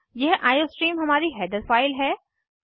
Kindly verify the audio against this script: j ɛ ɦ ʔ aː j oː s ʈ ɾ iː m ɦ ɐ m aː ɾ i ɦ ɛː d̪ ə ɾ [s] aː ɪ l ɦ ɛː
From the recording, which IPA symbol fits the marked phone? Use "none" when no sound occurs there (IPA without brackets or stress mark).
f